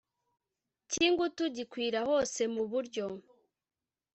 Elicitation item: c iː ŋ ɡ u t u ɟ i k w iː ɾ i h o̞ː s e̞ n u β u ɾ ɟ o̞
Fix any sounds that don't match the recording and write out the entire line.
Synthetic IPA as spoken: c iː ŋ ɡ u t u ɟ i k w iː ɾ a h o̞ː s e̞ m u β u ɾ ɟ o̞